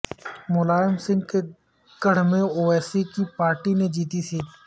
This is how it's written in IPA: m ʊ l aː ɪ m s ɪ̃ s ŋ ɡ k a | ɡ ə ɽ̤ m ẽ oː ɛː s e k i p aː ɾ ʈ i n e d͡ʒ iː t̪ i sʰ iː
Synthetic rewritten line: m ʊ l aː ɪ m s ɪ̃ ŋ ɡ k e | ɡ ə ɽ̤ m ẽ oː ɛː s i k i p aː ɾ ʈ i n e d͡ʒ iː t̪ i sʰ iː

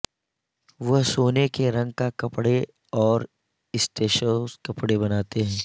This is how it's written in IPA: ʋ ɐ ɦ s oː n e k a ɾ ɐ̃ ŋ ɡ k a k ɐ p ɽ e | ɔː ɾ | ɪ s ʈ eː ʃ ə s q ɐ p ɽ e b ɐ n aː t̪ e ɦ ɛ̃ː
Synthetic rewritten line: ʋ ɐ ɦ s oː n e k e ɾ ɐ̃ ŋ ɡ k a k ɐ p ɽ e | ɔː ɾ | ɪ s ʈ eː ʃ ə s k ɐ p ɽ e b ɐ n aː t̪ e ɦ ɛ̃ː

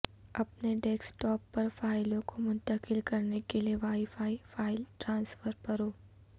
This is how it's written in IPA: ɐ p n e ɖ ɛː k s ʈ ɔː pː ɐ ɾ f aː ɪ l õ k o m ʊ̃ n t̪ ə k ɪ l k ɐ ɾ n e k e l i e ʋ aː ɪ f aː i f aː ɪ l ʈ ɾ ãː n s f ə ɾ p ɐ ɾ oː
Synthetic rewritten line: ɐ p n e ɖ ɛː k s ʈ ɔː pː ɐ ɾ f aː ɪ l õ k o m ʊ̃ n t̪ ə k ɪ l k ɐ ɾ n e k e l i e ʋ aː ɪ f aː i f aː ɪ l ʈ ɾ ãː n s f ə ɾ p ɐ ɾ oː

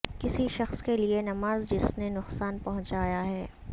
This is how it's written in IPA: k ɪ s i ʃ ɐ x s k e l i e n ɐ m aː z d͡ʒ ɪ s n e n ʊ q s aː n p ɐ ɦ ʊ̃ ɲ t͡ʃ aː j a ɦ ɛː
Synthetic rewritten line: k ɪ s i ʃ ɐ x s k e l i e n ɐ m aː z d͡ʒ ɪ s n e n ʊ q s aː n p ɐ ɦ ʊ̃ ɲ t͡ʃ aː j a ɦ ɛː

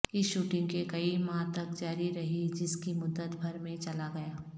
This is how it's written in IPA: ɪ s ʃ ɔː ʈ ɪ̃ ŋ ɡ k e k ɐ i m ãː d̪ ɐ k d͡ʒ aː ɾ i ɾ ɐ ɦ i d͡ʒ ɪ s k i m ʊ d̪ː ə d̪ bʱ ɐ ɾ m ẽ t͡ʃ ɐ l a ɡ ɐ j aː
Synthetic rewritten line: ɪ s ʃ uː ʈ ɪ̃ ŋ ɡ k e k ɐ i m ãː t̪ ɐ k d͡ʒ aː ɾ i ɾ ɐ ɦ i d͡ʒ ɪ s k i m ʊ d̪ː ə t̪ bʱ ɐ ɾ m ẽ t͡ʃ ɐ l a ɡ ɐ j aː

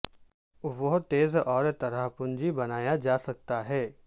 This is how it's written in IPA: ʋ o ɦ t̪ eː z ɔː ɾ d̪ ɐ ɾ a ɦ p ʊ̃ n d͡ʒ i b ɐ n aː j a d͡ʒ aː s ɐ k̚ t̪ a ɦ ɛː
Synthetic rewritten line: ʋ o ɦ t̪ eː z ɔː ɾ t̪ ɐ ɾ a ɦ p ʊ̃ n d͡ʒ i b ɐ n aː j a d͡ʒ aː s ɐ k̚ t̪ a ɦ ɛː

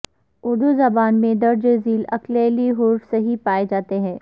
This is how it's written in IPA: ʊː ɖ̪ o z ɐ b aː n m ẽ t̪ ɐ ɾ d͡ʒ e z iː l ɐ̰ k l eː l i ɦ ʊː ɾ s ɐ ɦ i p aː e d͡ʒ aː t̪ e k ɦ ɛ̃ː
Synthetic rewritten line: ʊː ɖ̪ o z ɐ b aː n m ẽ d̪ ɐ ɾ d͡ʒ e z iː l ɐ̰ k l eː l i ɦ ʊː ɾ s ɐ ɦ i p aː e d͡ʒ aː t̪ e ɦ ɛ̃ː

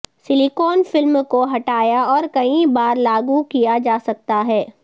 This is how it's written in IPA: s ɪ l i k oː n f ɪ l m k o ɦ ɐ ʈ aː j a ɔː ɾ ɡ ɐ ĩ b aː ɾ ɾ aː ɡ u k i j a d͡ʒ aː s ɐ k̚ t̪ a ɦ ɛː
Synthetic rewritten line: s ɪ l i k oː n f ɪ l m k o ɦ ɐ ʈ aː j a ɔː ɾ k ɐ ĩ b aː ɾ l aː ɡ u k i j a d͡ʒ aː s ɐ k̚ t̪ a ɦ ɛː

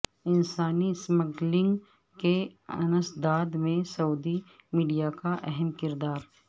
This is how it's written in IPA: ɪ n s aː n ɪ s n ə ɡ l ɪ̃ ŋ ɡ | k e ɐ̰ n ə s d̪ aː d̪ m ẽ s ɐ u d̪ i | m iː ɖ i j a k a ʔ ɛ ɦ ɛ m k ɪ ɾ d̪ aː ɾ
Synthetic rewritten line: ɪ n s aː n i s m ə ɡ l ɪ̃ ŋ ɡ | k e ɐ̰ n ə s d̪ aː d̪ m ẽ s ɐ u d̪ i | m iː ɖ i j a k a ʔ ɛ ɦ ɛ m k ɪ ɾ d̪ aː ɾ

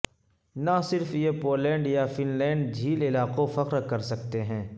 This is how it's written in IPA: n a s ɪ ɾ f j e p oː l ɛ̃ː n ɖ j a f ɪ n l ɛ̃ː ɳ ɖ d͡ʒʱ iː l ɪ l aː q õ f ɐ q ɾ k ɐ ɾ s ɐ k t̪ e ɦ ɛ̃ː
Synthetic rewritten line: n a s ɪ ɾ f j e p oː l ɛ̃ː ɳ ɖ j a f ɪ n l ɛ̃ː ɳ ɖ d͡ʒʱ iː l ɪ l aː q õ f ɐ q ɾ k ɐ ɾ s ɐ k t̪ e ɦ ɛ̃ː

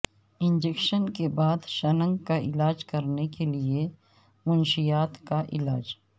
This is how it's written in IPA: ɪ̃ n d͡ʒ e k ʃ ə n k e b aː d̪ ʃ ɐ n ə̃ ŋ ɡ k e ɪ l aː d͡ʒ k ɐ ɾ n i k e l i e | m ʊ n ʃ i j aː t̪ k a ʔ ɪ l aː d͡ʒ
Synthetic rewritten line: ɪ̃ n d͡ʒ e k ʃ ə n k e b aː d̪ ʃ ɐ n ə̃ ŋ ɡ k a ɪ l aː d͡ʒ k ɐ ɾ n e k e l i e | m ʊ n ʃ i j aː t̪ k a ʔ ɪ l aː d͡ʒ

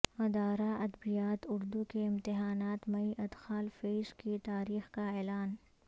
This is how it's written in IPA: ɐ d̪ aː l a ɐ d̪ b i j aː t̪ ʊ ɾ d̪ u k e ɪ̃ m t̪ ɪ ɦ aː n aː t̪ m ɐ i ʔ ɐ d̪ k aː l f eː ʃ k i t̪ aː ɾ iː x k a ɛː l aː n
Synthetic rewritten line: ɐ d̪ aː ɾ a ɐ d̪ b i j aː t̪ ʊ ɾ d̪ u k e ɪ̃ m t̪ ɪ ɦ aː n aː t̪ m ɐ i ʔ ɐ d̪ x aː l f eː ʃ k i t̪ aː ɾ iː x k a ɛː l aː n

